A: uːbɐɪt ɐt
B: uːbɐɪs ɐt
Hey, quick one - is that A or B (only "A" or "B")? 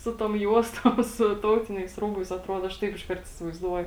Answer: B